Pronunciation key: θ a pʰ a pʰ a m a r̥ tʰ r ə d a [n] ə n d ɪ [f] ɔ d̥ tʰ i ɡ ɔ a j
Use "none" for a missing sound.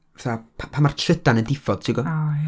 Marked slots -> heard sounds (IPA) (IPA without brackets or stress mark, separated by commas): n, f